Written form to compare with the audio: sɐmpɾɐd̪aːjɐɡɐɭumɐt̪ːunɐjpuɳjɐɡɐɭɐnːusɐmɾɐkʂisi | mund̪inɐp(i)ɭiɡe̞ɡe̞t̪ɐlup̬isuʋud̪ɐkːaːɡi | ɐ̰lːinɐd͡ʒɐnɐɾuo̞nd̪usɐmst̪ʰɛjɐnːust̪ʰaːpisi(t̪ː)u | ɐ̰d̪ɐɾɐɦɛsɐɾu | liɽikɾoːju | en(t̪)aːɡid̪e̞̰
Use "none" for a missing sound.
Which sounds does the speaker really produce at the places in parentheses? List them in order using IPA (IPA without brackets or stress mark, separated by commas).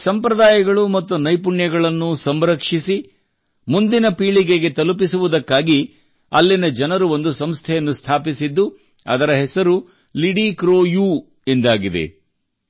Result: iː, d̪ː, d̪